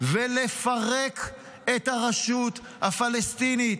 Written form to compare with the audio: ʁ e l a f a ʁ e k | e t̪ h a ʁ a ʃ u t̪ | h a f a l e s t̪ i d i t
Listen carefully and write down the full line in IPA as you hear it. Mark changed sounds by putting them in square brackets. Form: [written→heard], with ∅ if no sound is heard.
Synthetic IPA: [ʁ→v] e l [a→e] f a ʁ e k | e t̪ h a ʁ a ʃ u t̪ | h a f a l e s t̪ i [d→n] i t